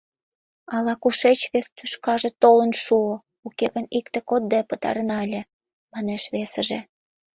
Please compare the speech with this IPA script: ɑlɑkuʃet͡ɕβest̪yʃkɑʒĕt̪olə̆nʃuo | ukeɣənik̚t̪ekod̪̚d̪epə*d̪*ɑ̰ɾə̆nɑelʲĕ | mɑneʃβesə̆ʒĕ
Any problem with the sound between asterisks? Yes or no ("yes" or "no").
yes